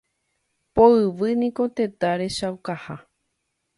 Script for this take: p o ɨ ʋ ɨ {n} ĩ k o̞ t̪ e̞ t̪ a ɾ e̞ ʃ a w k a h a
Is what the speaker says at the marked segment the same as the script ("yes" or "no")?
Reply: yes